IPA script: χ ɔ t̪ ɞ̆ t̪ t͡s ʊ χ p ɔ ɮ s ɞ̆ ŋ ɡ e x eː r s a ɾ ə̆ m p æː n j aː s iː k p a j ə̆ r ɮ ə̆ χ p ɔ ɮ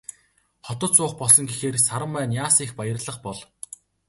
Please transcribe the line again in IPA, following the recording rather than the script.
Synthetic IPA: χ ɔ t̪ ɞ̆ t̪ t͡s ʊː χ p ɔ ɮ s ɞ̆ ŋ ɡ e x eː r s a ɾ ə̆ m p æː n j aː s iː x p a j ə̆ r ɮ ə̆ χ p ɔ ɮ